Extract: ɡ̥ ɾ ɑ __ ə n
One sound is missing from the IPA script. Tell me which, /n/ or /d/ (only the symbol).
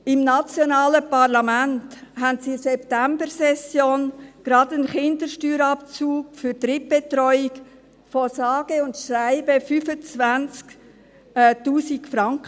d